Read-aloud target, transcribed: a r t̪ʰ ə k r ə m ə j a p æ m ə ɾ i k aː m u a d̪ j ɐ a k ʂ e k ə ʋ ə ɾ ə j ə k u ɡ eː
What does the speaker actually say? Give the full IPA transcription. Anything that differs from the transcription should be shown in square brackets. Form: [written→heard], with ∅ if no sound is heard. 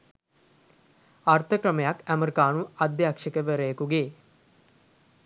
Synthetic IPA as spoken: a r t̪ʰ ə k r ə m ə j a [p→k] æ m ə ɾ i k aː [m→n] u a d̪ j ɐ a k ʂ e k ə ʋ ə ɾ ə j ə k u ɡ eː